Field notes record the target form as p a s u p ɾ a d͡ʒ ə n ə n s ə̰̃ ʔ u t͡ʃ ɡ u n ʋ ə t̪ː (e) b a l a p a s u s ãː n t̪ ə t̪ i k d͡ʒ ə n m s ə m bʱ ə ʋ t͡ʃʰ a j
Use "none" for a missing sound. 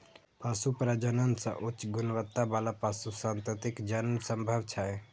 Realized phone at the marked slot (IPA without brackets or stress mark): a